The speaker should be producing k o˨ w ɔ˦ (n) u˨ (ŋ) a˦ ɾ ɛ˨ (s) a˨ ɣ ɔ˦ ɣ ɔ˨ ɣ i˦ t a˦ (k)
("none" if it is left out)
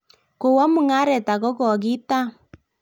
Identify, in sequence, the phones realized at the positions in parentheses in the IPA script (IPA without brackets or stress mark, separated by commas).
m, ŋ, t, none